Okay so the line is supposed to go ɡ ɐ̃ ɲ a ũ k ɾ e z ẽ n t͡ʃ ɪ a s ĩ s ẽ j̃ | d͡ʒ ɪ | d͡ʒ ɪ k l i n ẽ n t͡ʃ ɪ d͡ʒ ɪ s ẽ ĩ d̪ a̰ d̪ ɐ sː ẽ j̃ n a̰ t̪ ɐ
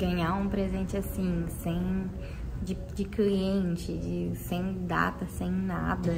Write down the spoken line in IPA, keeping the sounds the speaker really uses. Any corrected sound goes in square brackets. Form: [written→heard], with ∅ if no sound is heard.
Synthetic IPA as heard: ɡ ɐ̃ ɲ a ũ [k→p] ɾ e z ẽ n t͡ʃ ɪ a s ĩ s ẽ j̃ | d͡ʒ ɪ | d͡ʒ ɪ k l i [n→∅] ẽ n t͡ʃ ɪ d͡ʒ ɪ s ẽ [ĩ→j̃] d̪ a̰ [d̪→t̪] ɐ [sː→s] ẽ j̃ n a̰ [t̪→d̪] ɐ